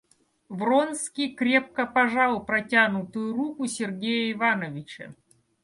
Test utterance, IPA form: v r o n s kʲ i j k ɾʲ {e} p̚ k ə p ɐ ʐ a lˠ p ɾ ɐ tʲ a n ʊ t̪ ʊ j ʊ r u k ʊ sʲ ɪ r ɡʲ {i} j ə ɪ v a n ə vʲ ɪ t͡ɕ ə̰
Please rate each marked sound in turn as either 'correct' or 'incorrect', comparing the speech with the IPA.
correct, incorrect: e

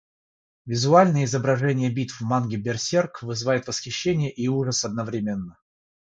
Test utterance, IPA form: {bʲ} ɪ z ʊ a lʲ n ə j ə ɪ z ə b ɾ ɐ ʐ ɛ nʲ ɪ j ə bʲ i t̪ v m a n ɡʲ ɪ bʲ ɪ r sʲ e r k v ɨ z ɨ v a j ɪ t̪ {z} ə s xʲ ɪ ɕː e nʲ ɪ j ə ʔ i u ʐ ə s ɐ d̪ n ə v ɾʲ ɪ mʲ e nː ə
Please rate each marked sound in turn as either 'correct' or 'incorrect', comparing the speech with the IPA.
incorrect: vʲ, incorrect: v

